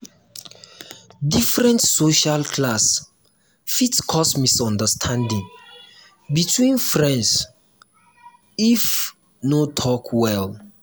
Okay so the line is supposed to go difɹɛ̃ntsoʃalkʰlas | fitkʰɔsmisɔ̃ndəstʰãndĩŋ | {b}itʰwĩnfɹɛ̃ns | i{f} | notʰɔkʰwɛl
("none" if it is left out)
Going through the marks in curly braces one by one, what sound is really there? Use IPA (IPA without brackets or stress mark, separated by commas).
b, f